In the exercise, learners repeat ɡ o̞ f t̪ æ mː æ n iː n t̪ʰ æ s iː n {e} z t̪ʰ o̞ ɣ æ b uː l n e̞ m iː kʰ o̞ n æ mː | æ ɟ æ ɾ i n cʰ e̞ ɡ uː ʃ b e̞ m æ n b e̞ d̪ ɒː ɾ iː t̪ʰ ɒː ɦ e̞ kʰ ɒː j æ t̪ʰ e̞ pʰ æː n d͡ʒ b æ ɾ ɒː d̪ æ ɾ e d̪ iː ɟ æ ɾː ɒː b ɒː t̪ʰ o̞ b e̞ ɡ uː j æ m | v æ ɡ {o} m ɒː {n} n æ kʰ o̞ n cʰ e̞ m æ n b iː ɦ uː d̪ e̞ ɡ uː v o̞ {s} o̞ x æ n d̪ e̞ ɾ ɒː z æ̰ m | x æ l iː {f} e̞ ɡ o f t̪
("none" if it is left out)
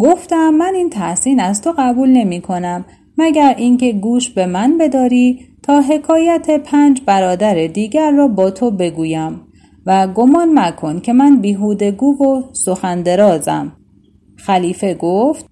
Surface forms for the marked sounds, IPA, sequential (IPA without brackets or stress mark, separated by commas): æ, o, n, s, f